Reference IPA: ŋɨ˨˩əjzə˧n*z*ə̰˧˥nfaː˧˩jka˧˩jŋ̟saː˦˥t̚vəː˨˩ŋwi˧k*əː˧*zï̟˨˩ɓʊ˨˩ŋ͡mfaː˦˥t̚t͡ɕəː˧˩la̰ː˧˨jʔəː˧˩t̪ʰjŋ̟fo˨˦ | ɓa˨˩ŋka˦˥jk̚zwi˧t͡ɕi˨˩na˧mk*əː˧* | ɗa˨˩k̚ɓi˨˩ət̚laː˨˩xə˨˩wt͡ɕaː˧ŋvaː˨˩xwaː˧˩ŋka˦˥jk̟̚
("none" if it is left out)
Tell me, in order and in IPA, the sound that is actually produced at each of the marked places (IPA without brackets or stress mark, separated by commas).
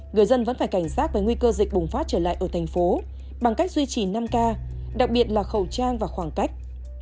v, əː˧, aː˧